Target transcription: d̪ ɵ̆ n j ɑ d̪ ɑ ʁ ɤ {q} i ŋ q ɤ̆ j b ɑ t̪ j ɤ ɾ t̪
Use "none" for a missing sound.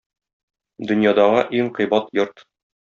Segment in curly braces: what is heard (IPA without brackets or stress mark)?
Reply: ʔ